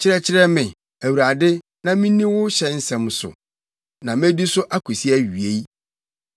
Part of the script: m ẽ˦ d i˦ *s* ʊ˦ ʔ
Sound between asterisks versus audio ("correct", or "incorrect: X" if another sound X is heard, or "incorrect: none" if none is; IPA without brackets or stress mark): correct